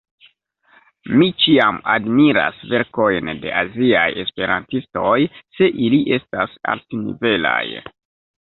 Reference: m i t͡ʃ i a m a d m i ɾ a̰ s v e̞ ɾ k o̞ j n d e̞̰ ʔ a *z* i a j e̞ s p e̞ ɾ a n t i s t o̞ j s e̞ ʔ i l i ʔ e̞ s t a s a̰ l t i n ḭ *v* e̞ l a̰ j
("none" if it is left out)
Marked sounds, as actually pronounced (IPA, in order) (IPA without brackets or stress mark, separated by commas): z, v